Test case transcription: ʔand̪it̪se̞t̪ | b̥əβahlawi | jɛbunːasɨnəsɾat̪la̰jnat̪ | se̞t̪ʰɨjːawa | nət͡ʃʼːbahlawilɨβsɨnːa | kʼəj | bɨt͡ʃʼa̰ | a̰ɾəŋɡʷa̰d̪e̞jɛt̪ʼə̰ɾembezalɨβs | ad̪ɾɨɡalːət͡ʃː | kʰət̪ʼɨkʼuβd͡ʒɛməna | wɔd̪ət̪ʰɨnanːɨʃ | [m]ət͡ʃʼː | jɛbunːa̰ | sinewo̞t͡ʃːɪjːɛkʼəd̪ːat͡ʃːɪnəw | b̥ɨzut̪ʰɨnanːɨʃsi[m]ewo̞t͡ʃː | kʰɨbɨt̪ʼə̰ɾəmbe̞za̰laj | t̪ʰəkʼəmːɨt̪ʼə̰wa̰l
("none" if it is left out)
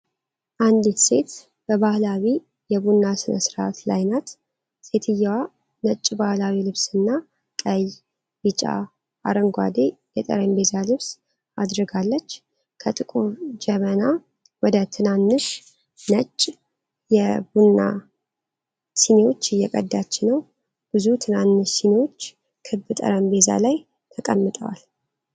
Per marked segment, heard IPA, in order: n, n

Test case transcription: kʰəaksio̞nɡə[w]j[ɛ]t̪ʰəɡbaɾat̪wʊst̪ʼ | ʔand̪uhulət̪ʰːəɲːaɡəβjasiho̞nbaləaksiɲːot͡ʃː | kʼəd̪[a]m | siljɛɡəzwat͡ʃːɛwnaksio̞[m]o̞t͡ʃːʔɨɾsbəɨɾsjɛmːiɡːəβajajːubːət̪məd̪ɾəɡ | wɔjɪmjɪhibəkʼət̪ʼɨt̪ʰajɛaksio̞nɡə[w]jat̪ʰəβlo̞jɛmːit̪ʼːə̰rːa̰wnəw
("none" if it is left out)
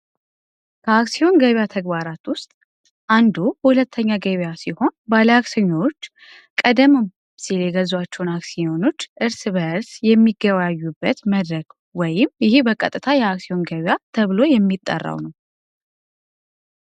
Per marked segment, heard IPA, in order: β, a, ə, n, β

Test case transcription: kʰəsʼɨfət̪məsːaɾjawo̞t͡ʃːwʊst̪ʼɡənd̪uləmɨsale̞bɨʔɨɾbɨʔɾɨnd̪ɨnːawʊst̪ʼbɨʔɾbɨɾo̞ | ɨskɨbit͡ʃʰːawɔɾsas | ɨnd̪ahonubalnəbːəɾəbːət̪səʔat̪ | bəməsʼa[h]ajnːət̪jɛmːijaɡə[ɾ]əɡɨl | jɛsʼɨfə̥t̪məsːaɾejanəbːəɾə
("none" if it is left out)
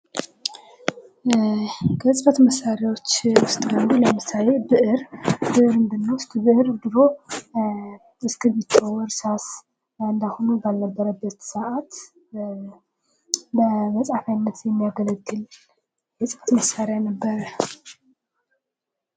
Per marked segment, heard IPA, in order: f, l

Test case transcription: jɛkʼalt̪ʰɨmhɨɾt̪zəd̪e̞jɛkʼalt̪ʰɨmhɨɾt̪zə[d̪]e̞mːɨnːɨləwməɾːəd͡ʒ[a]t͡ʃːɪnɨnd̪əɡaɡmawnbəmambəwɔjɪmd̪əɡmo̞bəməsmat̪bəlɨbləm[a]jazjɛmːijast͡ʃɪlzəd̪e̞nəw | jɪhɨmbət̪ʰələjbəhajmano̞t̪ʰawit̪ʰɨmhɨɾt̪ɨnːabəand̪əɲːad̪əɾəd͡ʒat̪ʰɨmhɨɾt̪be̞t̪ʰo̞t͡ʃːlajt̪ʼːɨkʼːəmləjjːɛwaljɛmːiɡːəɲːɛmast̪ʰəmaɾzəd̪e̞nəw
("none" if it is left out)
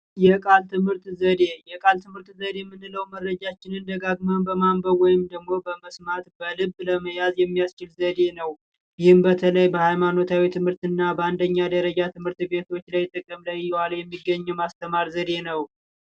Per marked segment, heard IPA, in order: d̪, a, ə

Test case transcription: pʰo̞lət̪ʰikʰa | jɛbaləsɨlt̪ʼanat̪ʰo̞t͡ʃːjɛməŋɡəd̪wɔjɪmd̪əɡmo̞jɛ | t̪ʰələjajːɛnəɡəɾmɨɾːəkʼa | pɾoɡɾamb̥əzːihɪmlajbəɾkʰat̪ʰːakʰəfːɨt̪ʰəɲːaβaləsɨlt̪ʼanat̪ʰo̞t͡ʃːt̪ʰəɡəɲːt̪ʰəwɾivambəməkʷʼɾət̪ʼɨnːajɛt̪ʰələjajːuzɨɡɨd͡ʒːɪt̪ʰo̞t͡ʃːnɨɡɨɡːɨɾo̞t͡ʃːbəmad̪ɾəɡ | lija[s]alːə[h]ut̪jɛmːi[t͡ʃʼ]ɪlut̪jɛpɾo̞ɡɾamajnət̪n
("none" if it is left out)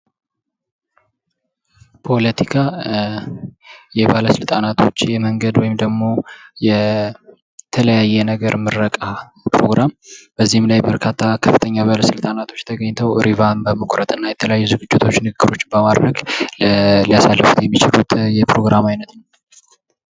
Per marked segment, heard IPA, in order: s, f, t͡ʃ

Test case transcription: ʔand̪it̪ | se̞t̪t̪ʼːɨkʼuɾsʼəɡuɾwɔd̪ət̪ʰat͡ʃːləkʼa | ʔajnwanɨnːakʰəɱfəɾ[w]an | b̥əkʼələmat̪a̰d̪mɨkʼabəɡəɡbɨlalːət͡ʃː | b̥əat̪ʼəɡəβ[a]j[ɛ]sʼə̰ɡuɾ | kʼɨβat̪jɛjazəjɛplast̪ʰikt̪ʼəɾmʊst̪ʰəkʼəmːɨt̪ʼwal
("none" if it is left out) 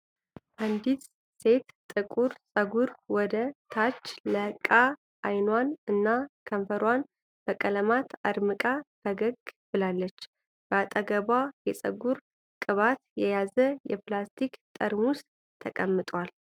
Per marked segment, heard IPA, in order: w, a, ɛ

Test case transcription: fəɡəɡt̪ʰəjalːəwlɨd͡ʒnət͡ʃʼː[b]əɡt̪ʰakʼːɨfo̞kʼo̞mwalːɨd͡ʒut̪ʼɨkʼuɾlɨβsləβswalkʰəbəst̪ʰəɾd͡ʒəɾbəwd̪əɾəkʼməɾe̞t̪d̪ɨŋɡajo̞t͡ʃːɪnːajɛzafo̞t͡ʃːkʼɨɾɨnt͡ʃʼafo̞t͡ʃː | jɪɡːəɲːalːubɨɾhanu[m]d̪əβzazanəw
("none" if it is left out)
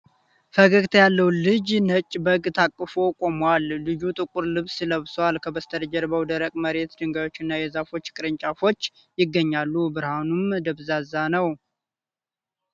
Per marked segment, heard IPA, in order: b, m

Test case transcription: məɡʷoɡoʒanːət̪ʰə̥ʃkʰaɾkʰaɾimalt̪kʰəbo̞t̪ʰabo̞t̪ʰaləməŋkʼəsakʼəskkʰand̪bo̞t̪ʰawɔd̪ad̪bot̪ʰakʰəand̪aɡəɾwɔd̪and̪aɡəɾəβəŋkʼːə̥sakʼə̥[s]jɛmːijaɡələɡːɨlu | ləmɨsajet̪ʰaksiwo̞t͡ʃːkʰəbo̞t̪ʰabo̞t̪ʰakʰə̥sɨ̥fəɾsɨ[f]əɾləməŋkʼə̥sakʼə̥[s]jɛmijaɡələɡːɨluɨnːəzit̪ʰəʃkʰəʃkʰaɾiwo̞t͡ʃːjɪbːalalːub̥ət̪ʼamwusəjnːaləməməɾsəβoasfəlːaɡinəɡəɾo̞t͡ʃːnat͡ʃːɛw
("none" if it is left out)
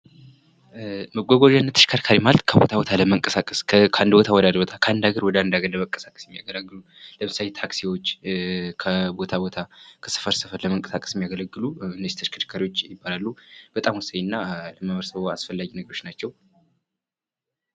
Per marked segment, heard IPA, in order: s, f, s

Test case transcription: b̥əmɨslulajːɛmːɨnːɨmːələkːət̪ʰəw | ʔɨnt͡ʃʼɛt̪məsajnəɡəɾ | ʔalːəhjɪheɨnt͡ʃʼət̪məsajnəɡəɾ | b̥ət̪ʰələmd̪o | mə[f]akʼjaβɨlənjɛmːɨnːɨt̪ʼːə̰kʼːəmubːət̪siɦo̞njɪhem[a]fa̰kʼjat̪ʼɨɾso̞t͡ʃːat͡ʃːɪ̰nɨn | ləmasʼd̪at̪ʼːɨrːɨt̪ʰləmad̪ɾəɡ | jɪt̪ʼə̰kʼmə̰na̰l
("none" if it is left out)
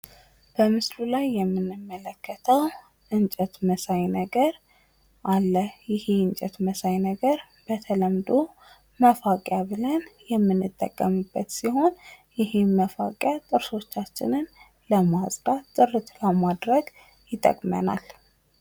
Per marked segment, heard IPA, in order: f, ə

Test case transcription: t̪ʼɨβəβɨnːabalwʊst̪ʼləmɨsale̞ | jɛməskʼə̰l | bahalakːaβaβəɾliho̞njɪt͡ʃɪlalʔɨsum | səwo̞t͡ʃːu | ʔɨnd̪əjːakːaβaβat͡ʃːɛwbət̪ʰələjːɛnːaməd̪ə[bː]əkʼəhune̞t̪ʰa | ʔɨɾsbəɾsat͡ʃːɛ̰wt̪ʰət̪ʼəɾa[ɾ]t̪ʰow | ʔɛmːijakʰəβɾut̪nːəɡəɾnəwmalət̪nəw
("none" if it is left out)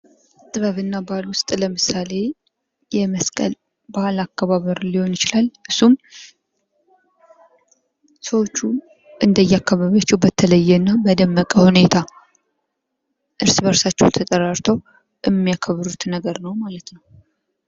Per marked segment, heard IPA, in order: mː, ɾ

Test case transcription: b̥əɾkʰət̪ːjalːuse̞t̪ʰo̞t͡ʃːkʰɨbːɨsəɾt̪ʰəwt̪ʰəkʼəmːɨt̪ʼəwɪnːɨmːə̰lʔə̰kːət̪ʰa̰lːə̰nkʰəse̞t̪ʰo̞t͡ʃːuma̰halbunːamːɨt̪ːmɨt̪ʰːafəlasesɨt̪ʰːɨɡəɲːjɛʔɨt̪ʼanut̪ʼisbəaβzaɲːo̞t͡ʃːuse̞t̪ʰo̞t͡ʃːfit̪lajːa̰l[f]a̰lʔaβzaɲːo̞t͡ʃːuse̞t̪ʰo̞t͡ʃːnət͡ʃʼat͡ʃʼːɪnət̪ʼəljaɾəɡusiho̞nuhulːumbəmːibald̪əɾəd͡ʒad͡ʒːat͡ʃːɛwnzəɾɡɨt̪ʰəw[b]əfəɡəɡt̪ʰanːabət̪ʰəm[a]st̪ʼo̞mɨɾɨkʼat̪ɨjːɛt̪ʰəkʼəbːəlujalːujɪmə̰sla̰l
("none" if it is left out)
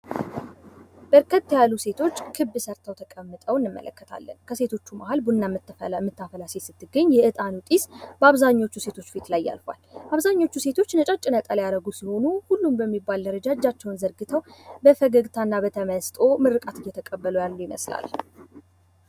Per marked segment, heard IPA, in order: f, b, ə

